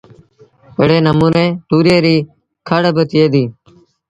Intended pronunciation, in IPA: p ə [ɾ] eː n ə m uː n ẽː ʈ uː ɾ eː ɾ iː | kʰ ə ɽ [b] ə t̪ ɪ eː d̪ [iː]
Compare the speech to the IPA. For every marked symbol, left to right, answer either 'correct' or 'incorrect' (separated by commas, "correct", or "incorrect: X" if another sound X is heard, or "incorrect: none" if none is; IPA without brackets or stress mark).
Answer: incorrect: ɽ, correct, correct